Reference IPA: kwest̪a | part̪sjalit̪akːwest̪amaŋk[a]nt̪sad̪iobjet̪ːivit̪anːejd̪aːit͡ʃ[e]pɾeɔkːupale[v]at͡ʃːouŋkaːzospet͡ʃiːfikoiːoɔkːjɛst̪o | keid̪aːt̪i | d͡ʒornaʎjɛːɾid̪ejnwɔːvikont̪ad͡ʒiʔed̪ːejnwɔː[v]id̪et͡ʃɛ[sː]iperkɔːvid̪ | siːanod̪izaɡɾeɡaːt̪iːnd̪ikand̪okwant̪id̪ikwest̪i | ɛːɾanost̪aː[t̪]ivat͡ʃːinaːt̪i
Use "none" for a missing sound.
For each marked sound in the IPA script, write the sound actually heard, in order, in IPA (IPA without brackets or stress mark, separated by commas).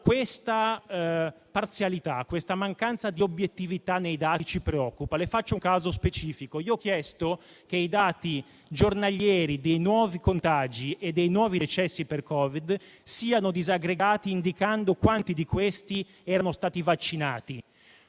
a, i, f, v, sː, t̪